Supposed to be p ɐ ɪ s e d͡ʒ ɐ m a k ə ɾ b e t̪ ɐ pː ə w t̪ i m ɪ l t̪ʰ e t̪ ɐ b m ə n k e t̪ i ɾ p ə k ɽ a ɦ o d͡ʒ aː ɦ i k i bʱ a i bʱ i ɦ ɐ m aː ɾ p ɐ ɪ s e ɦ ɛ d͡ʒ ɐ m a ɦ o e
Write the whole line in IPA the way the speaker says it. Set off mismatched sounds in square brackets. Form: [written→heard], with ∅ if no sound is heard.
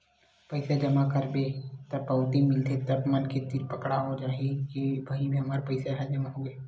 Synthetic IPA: p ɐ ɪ s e d͡ʒ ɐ m a k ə ɾ b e t̪ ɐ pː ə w t̪ i m ɪ l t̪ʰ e t̪ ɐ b m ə n k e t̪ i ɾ p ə k ɽ a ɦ o d͡ʒ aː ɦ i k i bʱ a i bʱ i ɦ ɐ m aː ɾ p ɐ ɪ s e ɦ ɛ d͡ʒ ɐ m a ɦ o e

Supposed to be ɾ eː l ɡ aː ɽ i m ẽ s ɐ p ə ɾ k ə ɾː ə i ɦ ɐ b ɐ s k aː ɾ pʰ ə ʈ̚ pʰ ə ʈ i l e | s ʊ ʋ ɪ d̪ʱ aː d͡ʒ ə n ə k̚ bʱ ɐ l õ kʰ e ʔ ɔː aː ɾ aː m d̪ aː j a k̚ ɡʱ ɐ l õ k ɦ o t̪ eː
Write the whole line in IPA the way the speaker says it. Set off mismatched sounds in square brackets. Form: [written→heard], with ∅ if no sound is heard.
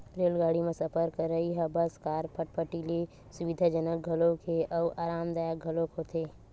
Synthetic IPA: ɾ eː l ɡ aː ɽ i m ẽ s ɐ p ə ɾ k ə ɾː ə i ɦ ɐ b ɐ s k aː ɾ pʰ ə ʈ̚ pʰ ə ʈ i l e | s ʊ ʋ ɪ d̪ʱ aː d͡ʒ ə n ə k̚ [bʱ→ɡʱ] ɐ l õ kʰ e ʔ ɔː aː ɾ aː m d̪ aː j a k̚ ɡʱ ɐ l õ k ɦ o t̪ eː

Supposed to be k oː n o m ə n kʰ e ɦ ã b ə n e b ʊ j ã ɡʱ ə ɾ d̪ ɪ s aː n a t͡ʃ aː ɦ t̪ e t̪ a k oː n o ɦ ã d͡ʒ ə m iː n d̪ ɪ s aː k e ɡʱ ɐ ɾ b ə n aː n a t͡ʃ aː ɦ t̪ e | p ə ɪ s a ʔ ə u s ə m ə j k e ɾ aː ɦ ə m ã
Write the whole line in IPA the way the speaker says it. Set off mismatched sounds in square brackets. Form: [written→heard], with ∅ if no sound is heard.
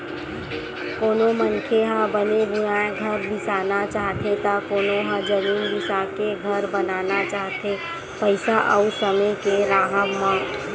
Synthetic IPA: k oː n o m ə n kʰ e ɦ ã b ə n e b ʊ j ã ɡʱ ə ɾ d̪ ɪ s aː n a t͡ʃ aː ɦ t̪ e t̪ a k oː n o ɦ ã d͡ʒ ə m iː n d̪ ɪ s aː k e ɡʱ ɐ ɾ b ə n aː n a t͡ʃ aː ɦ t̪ e | p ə ɪ s a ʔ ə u s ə m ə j k e ɾ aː ɦ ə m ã

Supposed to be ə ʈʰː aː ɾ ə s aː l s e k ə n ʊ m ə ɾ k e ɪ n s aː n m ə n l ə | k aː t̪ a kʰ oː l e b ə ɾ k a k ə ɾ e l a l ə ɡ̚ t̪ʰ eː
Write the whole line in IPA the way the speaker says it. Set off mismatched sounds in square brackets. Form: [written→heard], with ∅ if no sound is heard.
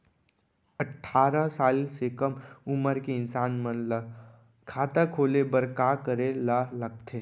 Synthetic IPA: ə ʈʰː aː ɾ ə s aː l s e k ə [n→m] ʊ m ə ɾ k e ɪ n s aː n m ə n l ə | [k→kʰ] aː t̪ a kʰ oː l e b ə ɾ k a k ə ɾ e l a l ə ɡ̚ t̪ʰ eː

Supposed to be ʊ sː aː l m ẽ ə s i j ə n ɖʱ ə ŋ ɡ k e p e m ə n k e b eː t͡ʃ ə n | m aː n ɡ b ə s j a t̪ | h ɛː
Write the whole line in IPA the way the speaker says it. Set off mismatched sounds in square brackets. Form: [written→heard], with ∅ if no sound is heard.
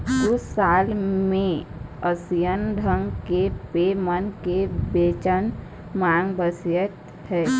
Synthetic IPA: ʊ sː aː l m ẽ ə s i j ə n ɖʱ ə ŋ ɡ k e p e m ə n k e b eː t͡ʃ ə n | m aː [n→ŋ] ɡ b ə s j [a→ə] t̪ | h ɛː

